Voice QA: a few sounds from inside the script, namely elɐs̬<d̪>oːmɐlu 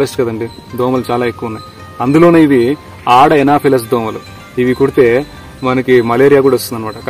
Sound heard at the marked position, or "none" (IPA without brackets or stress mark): d̪